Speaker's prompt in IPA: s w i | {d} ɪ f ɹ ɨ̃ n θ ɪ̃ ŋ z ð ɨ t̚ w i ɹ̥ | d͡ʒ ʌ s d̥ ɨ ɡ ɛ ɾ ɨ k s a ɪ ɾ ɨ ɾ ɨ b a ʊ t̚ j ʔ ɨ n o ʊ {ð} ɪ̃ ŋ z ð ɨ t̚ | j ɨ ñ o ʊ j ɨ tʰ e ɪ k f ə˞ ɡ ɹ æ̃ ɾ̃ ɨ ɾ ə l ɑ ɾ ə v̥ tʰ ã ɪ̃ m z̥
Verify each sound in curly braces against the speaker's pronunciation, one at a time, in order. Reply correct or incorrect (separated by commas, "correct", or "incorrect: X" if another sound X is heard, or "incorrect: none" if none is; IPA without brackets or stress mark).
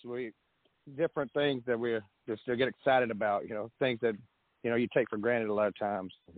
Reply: correct, incorrect: θ